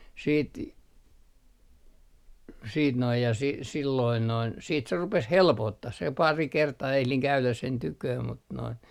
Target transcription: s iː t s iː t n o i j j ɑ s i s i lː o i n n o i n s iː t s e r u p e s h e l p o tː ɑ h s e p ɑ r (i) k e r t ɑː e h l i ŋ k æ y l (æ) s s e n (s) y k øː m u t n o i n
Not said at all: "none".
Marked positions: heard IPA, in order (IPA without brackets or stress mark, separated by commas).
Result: i, æ, t